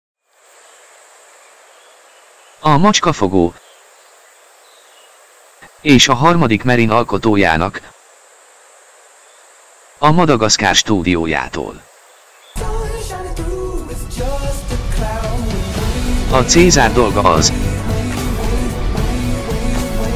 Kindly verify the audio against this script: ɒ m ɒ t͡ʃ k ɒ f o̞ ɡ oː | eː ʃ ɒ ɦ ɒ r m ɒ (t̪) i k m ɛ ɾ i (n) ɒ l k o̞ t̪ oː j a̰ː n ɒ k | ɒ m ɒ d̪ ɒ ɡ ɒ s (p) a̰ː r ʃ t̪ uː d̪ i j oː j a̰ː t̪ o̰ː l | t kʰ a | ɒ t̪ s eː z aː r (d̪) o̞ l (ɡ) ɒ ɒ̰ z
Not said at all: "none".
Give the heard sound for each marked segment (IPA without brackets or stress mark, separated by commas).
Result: d̪, n, k, d̪, ɡ